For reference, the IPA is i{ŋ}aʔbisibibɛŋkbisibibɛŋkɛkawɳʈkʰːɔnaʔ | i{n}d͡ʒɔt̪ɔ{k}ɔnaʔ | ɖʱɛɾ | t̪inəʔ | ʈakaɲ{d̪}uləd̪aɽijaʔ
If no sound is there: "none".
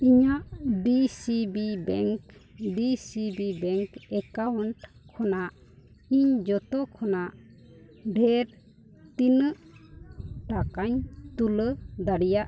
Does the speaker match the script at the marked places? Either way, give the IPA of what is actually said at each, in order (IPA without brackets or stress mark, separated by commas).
ɲ, ɲ, kʰ, t̪